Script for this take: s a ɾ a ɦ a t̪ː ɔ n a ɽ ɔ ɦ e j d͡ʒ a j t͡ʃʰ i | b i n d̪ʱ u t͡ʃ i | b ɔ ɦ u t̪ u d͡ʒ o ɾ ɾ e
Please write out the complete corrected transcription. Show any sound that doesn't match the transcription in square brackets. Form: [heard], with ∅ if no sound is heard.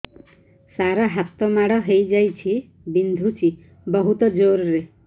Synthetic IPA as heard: s a ɾ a ɦ a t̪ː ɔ [m] a ɽ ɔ ɦ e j d͡ʒ a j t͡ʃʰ i | b i n d̪ʱ u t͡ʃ i | b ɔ ɦ u t̪ [ɔ] d͡ʒ o ɾ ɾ e